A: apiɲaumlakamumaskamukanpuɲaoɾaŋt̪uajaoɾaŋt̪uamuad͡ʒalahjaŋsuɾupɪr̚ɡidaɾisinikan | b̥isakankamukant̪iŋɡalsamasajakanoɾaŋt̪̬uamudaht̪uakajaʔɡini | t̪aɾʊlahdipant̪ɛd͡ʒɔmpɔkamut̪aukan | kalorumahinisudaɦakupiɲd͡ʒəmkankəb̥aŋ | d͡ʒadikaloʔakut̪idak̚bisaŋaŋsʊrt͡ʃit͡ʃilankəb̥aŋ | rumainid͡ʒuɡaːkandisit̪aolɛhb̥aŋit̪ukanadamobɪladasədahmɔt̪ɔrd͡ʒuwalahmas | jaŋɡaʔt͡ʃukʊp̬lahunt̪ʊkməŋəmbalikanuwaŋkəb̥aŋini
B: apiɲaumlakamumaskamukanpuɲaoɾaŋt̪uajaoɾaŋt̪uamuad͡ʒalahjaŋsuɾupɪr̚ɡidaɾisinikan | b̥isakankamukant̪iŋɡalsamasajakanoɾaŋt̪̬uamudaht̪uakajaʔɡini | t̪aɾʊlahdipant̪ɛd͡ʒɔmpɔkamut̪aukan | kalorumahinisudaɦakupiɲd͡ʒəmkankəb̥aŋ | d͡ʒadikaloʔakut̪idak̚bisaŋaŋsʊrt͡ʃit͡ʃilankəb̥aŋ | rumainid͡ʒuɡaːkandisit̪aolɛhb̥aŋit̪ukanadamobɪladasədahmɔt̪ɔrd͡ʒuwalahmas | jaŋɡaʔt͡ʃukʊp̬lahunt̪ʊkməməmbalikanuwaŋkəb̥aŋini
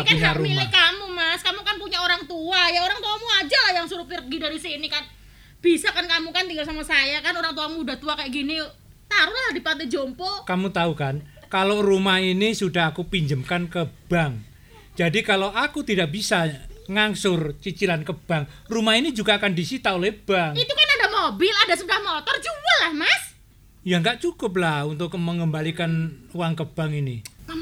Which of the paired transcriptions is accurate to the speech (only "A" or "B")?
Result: A